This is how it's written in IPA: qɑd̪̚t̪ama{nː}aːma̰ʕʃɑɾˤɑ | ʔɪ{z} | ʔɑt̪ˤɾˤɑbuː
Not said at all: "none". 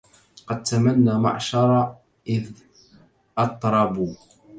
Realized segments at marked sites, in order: nː, ð

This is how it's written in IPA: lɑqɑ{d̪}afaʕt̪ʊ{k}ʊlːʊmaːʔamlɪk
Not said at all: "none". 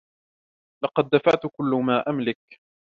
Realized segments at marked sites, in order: d̪ː, k

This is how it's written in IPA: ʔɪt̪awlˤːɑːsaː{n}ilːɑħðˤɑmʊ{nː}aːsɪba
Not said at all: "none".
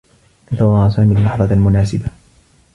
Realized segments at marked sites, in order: m, n

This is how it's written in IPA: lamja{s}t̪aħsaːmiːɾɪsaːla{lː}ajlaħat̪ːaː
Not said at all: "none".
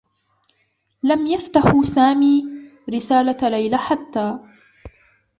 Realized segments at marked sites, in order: f, l

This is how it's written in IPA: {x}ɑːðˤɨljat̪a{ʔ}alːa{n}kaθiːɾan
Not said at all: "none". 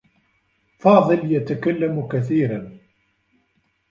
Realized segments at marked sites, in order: f, k, m

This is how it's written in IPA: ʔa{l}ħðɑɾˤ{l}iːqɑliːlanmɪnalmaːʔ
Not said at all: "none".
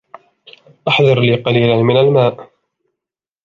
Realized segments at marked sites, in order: none, l

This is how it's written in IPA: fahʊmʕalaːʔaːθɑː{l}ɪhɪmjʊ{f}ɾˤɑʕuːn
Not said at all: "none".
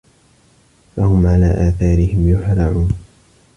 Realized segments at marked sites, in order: ɾ, ħ

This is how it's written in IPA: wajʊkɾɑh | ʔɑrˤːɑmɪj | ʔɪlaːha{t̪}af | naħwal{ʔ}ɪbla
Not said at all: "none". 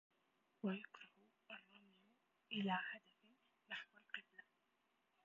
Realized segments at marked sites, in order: d̪, q

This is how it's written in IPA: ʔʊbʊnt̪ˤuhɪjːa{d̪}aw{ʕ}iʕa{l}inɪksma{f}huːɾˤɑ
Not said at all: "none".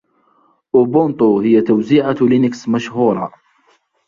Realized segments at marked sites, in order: t̪, z, l, ʃ

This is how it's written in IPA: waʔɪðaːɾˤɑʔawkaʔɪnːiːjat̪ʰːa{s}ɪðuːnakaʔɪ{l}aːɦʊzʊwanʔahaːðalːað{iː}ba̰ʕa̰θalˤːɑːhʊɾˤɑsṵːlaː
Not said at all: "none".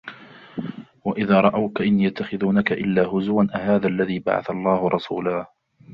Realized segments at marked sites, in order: x, lː, iː

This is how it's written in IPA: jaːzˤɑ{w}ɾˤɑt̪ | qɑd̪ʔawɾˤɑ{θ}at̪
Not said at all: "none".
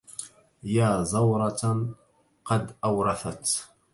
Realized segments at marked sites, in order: w, θ

